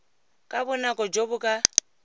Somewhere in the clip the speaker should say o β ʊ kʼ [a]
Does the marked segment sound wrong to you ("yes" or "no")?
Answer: no